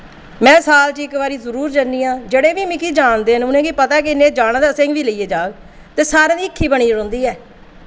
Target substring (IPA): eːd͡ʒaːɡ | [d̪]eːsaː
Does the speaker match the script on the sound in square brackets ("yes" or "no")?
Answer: no